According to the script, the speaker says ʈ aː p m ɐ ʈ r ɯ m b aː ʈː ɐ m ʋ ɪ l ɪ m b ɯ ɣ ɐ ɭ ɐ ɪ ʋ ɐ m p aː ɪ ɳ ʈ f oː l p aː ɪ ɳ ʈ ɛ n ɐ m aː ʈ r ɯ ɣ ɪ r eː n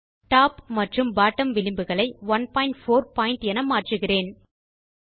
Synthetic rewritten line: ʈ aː p m ɐ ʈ r ɯ m b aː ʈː ɐ m ʋ ɪ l ɪ m b ɯ ɣ ɐ ɭ ɐ ɪ ʋ ɐ n p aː ɪ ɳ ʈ f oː ɾ p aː ɪ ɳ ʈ ɛ n ɐ m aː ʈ r ɯ ɣ ɪ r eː n